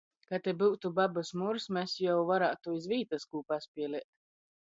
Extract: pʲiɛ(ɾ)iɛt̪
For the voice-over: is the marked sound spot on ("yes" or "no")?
no